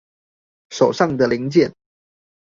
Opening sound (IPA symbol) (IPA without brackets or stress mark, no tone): ʂ